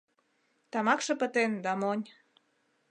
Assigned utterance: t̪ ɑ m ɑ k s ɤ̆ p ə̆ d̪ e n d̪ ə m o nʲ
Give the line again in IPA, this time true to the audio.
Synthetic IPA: t̪ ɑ m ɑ k ʃ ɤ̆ p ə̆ t̪ e n d̪ ɑ m o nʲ

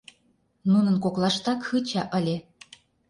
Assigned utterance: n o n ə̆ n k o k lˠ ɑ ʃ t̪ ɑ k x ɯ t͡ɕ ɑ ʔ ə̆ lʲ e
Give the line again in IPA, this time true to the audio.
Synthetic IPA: n u n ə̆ n k o k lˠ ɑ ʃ t̪ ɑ k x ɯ t͡ɕ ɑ ʔ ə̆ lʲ e

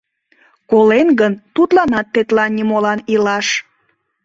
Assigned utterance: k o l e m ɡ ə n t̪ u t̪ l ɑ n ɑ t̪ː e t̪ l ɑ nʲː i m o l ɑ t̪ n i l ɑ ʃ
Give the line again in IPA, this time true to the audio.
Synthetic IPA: k o l e n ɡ ə n t̪ u t̪ l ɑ n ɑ t̪ː e t̪ l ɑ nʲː i m o l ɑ n i l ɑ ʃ

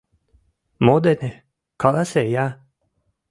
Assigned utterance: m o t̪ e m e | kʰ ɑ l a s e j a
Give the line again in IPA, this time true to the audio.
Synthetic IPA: m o d̪ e n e | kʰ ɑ l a s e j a

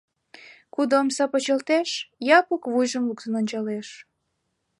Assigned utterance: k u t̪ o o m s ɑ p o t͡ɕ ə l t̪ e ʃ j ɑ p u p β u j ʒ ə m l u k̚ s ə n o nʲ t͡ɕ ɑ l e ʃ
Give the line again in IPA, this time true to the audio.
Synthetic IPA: k u d̪ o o m s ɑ p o t͡ɕ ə l t̪ e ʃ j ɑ p u k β u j ʒ ə m l u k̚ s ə n o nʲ t͡ɕ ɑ l e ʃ

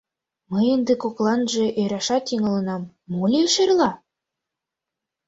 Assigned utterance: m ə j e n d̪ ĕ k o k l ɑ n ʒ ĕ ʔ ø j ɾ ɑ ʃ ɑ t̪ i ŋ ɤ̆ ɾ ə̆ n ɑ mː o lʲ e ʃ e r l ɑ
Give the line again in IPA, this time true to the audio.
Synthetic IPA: m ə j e n d̪ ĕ k o k l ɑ n ʒ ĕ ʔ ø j ɾ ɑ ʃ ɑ t̪ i ŋ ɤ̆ l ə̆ n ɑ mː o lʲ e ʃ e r l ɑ

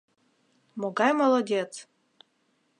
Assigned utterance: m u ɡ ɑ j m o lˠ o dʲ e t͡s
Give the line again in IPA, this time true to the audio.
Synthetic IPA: m o ɡ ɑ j m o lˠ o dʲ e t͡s

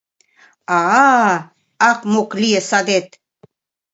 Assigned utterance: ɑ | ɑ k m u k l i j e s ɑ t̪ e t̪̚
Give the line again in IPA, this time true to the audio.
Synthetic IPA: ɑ | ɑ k m o k l i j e s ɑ d̪ e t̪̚

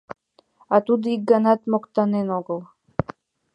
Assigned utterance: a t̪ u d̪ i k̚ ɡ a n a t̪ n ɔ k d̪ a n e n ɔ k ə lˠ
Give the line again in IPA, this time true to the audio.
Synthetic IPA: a t̪ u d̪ i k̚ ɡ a n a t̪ m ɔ k t̪ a n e n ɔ ɡ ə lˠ

